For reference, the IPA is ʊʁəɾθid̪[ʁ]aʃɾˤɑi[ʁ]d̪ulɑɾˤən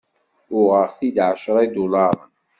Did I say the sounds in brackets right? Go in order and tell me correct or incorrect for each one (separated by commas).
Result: incorrect, incorrect